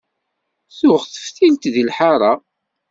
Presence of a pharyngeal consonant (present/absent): present